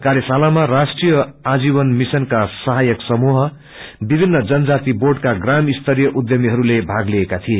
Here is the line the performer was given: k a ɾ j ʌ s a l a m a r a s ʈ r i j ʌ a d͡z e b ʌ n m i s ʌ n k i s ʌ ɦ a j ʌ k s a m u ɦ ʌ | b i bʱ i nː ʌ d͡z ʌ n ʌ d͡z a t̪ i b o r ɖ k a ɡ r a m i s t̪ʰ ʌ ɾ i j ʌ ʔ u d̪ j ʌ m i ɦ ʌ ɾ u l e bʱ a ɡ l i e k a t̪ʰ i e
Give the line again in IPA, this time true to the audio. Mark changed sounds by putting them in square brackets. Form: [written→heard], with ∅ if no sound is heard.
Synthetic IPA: k a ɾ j ʌ s a l a m a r a s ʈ r i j ʌ a d͡z [e→i] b ʌ n m i s ʌ n k [i→a] s ʌ ɦ a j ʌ k s [a→ʌ] m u ɦ ʌ | b i bʱ i nː ʌ d͡z ʌ n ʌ d͡z a t̪ i b o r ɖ k a ɡ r a m i s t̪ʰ ʌ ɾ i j ʌ ʔ u d̪ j ʌ m i ɦ ʌ ɾ u l e bʱ a ɡ l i e k a t̪ʰ i e